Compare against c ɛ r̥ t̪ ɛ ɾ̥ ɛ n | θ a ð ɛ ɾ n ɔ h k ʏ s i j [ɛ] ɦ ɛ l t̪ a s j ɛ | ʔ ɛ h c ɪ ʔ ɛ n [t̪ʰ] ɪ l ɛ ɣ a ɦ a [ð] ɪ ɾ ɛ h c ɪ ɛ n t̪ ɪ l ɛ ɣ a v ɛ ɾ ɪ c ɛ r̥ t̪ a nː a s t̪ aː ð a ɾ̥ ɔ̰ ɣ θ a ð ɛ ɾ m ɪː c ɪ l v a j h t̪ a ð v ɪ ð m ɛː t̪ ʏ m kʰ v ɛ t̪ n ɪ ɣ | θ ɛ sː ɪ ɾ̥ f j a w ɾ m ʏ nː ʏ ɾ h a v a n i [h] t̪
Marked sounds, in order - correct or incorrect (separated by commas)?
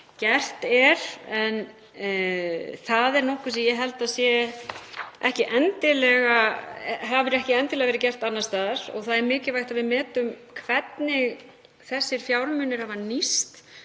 correct, incorrect, incorrect, incorrect